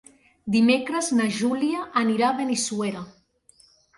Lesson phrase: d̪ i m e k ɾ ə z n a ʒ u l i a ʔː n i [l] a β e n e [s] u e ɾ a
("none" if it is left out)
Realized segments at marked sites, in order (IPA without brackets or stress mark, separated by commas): ɾ, s